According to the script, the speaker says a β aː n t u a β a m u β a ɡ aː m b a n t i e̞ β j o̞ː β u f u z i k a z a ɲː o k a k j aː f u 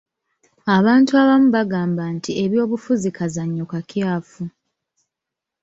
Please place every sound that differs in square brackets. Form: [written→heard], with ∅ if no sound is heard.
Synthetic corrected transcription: a β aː n t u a β a m u β a ɡ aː m b a n t i e̞ β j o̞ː β u f u z i k a z a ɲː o k a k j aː f u